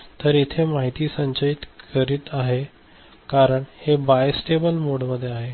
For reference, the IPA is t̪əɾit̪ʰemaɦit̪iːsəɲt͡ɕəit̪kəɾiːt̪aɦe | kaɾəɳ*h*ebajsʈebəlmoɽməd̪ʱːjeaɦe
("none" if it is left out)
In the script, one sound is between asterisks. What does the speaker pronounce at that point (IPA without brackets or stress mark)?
h